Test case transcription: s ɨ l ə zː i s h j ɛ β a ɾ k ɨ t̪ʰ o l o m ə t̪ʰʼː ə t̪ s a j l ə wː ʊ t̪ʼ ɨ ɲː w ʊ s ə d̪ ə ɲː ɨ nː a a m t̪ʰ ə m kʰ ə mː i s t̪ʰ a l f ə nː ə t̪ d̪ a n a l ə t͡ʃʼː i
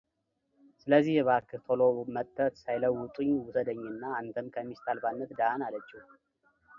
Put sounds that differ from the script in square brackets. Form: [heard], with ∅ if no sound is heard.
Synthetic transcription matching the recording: s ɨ l ə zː i [∅] h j ɛ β a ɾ k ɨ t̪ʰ o l o m ə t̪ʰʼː ə t̪ s a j l ə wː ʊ t̪ʼ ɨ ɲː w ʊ s ə d̪ ə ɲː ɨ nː a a [n] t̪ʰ ə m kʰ ə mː i s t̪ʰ a l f [a] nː ə t̪ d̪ a n a l ə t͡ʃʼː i